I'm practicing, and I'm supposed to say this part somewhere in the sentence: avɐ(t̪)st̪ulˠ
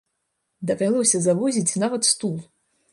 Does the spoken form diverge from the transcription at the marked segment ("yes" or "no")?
no